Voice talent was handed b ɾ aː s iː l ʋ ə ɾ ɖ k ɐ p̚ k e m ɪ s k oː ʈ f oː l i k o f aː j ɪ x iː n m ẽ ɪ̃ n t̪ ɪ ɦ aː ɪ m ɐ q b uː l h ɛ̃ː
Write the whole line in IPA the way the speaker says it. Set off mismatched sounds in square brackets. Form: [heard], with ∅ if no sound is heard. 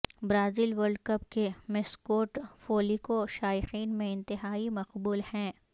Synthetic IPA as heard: b ɾ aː [z] iː l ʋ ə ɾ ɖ k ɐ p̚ k e m ɪ s k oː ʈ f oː l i k o [ʃ] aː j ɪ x iː n m ẽ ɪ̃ n t̪ ɪ ɦ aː [i] m ɐ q b uː l h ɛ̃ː